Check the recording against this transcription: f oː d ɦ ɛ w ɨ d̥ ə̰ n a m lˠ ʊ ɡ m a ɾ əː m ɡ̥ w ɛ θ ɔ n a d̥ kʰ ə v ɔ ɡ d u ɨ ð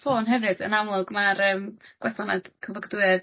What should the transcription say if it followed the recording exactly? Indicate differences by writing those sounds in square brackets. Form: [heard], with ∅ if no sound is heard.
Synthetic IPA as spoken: f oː [n] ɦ ɛ [v] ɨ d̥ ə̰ n a m lˠ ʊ ɡ m a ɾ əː m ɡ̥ w ɛ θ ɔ n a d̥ kʰ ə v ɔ ɡ d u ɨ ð